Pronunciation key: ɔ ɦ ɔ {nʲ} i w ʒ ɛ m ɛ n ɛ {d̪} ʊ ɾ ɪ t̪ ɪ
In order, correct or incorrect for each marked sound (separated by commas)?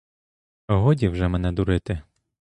incorrect, correct